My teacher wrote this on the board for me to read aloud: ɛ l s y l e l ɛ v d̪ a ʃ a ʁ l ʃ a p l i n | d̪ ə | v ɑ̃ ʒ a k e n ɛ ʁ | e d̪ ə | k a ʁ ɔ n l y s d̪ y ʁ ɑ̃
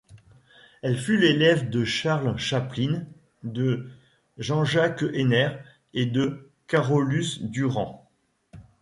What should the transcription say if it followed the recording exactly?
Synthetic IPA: ɛ l f y l e l ɛ v d̪ ə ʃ a ʁ l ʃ a p l i n | d̪ ə | ʒ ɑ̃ ʒ a k e n ɛ ʁ | e d̪ ə | k a ʁ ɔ l y s d̪ y ʁ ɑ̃